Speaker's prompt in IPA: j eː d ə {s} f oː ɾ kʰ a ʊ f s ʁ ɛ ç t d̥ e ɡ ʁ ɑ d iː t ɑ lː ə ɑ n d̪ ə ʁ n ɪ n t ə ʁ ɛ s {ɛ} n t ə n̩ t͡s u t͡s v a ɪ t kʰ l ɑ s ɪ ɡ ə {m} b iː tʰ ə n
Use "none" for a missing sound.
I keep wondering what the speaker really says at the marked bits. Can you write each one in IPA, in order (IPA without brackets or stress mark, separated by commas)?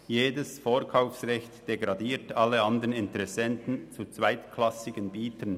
s, ɛ, n